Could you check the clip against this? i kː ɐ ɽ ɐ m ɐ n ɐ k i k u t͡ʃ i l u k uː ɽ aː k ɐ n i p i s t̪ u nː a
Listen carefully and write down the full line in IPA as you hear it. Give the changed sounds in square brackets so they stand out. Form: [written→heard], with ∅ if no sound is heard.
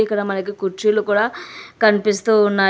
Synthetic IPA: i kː ɐ ɽ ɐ m ɐ n ɐ k i k u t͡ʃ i l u k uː ɽ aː k ɐ n i p i s t̪ u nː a